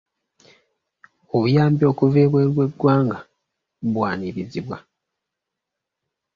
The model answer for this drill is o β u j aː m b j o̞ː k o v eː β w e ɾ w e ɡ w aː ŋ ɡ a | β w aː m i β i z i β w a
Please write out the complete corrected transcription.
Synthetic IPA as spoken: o β u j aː m b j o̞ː k u v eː β w e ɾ w e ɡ w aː ŋ ɡ a | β w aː n i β i z i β w a